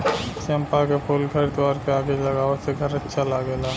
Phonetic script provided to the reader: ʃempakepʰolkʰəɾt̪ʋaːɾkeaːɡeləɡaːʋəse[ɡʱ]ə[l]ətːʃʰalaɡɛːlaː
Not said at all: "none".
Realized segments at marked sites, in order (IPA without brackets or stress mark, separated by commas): ɡʱ, ɾ